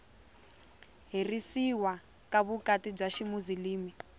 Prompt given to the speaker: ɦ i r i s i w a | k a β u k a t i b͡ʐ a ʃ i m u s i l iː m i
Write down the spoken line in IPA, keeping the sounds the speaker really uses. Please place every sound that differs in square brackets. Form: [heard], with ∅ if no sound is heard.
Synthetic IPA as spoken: ɦ i r i s i w a | k a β u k a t i b͡ʐ a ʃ i m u [z] i l iː m i